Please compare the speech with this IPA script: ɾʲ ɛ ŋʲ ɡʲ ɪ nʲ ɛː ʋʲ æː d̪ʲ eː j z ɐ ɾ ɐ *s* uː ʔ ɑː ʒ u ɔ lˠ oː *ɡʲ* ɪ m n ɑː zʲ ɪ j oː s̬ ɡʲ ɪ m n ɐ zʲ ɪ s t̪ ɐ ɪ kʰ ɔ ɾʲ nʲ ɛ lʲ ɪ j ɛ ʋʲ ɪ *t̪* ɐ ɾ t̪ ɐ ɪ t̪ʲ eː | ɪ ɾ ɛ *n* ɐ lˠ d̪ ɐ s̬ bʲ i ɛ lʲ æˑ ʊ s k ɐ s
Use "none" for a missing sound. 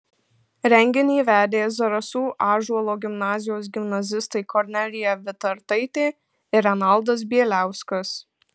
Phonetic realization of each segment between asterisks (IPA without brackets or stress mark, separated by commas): s, ɡʲ, t̪, n